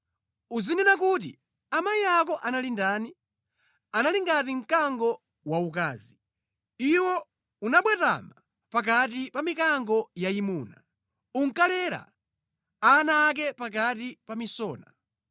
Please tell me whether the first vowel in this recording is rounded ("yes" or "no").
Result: yes